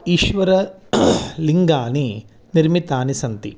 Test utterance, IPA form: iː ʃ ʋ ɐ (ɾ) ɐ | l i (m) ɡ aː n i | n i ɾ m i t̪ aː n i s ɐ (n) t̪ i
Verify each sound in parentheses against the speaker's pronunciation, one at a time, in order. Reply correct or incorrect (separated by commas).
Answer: correct, incorrect, correct